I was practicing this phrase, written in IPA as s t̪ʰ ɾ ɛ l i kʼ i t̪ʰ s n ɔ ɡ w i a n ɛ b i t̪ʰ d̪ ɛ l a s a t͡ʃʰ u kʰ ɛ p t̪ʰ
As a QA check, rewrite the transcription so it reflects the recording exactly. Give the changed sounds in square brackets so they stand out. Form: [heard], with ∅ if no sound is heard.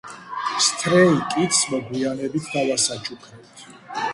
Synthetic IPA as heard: s t̪ʰ ɾ ɛ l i kʼ i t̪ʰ s [m] ɔ ɡ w i a n ɛ b i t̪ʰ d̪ [a] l a s a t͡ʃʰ u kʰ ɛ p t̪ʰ